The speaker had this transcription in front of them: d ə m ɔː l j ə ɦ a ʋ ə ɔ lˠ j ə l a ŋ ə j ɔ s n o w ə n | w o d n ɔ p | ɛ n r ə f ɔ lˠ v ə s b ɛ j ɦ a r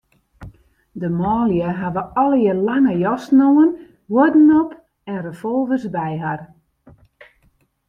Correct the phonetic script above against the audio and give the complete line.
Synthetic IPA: d ə m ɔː l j ə ɦ a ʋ ə ɔ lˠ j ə l a ŋ ə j ɔ s n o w ə n | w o d n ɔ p | ɛ n r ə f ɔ lˠ v ə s b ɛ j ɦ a r

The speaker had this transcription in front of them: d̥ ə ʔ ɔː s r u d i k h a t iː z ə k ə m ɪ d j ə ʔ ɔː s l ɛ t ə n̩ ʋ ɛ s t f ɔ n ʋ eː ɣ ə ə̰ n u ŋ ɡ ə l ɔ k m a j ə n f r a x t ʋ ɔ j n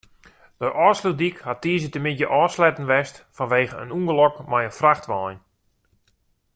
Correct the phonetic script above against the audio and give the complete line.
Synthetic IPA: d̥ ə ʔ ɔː s l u d i k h a t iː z ə t ə m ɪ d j ə ʔ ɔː s l ɛ t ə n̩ ʋ ɛ s t f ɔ n ʋ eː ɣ ə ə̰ n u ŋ ɡ ə l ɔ k m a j ə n f r a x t ʋ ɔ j n

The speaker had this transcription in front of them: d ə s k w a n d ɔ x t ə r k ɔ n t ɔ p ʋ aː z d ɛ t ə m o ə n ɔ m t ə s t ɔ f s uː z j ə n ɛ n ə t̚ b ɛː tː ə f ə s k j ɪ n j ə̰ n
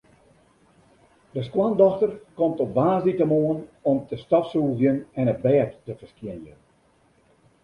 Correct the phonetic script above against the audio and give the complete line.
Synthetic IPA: d ə s k w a n d ɔ x t ə r k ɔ m t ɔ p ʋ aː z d i t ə m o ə n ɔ m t ə s t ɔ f s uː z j ə n ɛ n ə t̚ b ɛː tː ə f ə s k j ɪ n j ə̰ n

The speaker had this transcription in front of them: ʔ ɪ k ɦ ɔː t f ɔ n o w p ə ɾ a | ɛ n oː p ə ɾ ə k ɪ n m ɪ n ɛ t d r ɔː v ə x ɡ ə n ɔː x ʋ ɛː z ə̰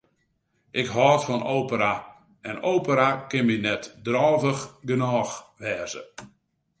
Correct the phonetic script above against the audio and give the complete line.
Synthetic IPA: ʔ ɪ k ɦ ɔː t f ɔ n o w p ə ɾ a | ɛ n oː p ə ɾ a k ɪ n m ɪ n ɛ t d r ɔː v ə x ɡ ə n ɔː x ʋ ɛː z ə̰

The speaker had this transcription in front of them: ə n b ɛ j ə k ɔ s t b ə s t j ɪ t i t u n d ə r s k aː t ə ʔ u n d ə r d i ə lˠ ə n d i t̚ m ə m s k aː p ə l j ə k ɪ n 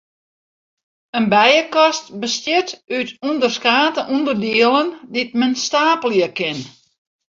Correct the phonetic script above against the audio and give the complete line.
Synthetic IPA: ə n b ɛ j ə k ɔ s t b ə s t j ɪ t y t u n d ə r s k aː t ə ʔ u n d ə r d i ə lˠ ə n d i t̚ m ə n s t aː p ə l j ə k ɪ n

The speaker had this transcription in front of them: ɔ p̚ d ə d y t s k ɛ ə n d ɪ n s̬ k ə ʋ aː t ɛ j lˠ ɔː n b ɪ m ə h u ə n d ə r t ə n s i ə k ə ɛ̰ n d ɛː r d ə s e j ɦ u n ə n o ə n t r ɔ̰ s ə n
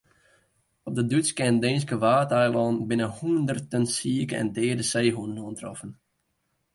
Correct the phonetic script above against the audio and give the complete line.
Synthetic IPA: ɔ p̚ d ə d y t s k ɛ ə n d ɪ n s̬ k ə ʋ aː t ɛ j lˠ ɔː n b ɪ n ə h u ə n d ə r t ə n s i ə k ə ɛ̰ n d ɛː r d ə s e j ɦ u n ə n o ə n t r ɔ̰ f ə n

